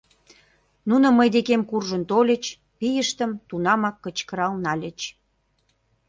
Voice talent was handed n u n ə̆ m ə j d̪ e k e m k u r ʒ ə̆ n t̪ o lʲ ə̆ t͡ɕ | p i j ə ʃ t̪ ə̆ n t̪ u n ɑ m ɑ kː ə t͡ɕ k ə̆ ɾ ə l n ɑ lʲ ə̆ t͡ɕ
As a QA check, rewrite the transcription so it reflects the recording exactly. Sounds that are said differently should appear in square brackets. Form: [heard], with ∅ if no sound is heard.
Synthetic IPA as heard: n u n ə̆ m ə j d̪ e k e m k u r ʒ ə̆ n t̪ o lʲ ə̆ t͡ɕ | p i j ə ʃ t̪ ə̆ [m] t̪ u n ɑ m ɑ kː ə t͡ɕ k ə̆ ɾ [ɑ] l n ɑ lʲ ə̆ t͡ɕ